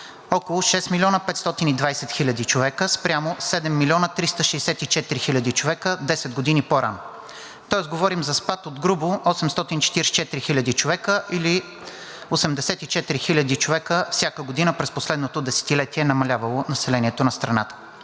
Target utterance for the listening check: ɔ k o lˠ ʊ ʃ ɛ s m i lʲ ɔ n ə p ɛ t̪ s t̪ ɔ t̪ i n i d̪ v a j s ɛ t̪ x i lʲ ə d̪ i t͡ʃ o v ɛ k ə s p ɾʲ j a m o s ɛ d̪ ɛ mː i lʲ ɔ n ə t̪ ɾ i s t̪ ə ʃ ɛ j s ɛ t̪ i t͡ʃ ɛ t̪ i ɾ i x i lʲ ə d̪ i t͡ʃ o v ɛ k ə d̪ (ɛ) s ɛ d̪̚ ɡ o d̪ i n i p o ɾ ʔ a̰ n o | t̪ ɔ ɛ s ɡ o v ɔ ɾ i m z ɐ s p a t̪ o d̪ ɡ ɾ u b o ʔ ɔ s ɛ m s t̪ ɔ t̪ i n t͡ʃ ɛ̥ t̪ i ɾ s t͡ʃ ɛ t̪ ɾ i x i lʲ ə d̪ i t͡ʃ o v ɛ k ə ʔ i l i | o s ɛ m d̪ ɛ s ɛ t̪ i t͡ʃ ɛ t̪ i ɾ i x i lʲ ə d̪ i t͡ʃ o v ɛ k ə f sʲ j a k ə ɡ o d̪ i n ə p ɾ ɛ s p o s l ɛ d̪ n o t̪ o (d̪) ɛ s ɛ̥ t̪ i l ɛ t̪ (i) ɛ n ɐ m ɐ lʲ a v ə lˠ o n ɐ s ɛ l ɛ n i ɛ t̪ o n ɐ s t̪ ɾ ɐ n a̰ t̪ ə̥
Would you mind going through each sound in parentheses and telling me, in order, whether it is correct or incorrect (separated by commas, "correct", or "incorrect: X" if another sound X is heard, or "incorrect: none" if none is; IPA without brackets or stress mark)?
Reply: correct, correct, correct